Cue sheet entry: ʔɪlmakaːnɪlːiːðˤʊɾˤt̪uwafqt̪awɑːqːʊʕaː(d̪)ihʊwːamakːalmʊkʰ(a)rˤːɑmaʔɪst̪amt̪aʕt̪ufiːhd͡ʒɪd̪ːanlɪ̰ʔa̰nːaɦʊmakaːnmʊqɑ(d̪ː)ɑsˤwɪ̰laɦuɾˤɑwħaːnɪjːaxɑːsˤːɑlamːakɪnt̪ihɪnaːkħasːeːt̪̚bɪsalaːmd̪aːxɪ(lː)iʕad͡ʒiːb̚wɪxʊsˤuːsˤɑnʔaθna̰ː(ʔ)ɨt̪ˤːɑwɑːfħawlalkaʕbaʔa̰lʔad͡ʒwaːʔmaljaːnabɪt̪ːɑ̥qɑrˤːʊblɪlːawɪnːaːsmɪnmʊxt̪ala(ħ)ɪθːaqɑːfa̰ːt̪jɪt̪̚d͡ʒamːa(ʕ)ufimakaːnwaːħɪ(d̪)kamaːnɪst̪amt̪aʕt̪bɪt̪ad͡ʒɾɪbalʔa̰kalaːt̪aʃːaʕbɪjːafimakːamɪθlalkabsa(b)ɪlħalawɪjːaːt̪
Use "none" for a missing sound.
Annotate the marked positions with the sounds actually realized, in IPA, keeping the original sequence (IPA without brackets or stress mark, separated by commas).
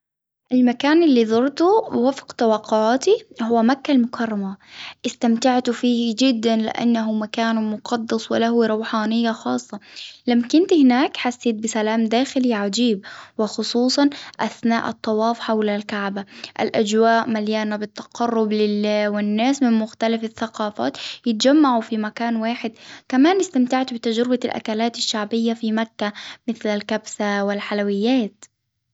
t̪, ɑ, d̪ː, l, ʔ, f, ʕ, d̪, w